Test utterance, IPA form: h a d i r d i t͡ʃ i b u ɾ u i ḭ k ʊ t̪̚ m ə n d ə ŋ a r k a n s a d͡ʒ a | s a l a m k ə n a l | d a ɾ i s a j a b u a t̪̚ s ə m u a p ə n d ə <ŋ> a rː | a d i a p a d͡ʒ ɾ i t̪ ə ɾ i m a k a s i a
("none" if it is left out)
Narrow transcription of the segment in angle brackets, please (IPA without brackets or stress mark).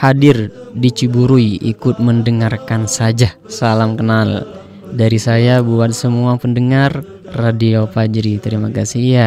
ŋ